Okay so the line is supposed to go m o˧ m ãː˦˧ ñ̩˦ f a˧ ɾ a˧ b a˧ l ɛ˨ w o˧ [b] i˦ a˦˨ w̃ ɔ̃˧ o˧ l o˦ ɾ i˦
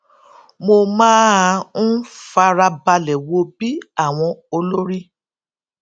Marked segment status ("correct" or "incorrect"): correct